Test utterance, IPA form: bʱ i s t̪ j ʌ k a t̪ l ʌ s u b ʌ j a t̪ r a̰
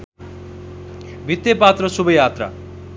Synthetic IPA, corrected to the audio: bʱ i t̪ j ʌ p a t̪ r ʌ s u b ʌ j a t̪ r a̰